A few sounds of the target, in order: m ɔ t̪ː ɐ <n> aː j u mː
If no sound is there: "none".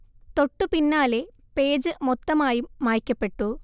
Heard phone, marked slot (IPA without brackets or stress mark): m